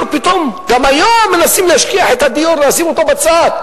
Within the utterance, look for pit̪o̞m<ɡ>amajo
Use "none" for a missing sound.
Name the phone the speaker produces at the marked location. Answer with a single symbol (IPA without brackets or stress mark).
ɡ